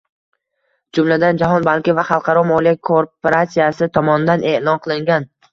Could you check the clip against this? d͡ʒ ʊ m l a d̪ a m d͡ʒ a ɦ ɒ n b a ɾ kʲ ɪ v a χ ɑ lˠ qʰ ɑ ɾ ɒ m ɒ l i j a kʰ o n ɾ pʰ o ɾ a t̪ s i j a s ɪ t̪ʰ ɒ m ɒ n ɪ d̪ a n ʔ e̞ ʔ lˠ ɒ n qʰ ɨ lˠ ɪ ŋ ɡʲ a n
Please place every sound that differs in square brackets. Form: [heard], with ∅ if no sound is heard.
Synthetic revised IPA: d͡ʒ ʊ m l a d̪ a [n] d͡ʒ a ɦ ɒ n b a [l] kʲ ɪ v a χ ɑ lˠ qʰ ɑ ɾ ɒ m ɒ l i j a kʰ o [∅] ɾ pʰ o ɾ a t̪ s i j a s ɪ t̪ʰ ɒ m ɒ n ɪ d̪ a n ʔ e̞ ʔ lˠ ɒ n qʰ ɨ lˠ ɪ ŋ ɡʲ a n